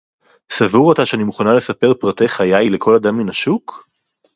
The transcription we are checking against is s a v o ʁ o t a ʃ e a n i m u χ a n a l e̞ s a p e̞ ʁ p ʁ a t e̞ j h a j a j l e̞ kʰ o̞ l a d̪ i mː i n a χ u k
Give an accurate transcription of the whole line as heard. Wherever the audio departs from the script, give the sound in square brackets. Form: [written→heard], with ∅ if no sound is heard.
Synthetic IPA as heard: s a v [o→u] ʁ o t a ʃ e a n i m u χ a n a l e̞ s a p e̞ ʁ p ʁ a t e̞ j [h→χ] a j a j l e̞ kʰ o̞ l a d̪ [i→a] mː i n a [χ→ʃ] u k